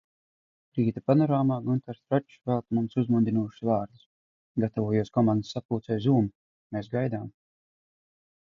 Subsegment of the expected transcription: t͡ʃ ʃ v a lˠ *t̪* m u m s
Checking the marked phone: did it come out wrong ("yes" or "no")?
no